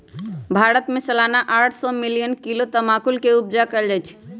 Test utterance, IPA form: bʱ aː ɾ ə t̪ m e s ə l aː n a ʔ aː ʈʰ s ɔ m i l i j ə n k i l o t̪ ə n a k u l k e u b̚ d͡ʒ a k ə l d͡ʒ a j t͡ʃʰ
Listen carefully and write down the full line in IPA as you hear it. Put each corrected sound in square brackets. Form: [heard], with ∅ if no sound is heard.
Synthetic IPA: bʱ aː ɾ ə t̪ m e s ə l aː n a ʔ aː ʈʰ s ɔ m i l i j ə n k i l o t̪ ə [m] a k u l k e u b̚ d͡ʒ a k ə l d͡ʒ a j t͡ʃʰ